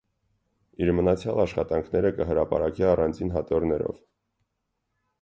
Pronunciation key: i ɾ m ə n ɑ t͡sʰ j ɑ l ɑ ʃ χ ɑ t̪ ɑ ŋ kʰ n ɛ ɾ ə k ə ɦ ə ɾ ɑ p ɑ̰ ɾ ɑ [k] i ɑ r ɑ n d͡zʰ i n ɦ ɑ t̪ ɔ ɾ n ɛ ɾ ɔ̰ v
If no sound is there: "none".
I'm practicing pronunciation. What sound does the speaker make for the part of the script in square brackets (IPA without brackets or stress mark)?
k